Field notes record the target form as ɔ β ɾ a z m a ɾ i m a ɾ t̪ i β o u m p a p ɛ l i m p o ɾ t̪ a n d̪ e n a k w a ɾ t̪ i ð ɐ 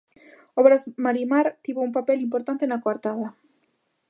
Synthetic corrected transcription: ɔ β ɾ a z m a ɾ i m a ɾ t̪ i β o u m p a p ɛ l i m p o ɾ t̪ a n t̪ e n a k w a ɾ t̪ a ð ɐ